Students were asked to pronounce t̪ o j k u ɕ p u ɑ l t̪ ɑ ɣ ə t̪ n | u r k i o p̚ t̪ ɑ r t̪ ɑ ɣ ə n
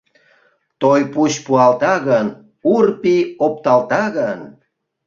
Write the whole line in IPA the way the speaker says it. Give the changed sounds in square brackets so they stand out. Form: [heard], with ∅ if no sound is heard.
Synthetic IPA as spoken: t̪ o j [p] u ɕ p u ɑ l t̪ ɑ ɣ ə [∅] n | u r [p] i o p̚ t̪ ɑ [l] t̪ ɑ ɣ ə n